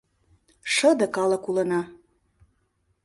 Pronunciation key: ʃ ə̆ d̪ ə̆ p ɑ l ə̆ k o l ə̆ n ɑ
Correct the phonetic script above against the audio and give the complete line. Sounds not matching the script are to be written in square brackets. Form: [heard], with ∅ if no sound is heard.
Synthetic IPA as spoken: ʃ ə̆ d̪ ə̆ [k] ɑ l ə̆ k [u] l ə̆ n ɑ